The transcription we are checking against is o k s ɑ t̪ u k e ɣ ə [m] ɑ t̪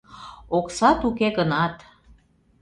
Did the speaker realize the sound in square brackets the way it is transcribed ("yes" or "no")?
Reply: no